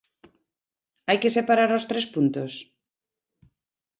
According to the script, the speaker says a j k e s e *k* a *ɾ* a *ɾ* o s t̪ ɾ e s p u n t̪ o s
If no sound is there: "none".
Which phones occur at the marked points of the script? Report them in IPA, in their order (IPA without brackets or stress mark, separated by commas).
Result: p, ɾ, ɾ